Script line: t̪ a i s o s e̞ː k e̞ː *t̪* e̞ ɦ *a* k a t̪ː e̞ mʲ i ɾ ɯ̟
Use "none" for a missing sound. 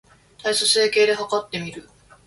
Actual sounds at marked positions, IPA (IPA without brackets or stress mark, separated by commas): d̪, a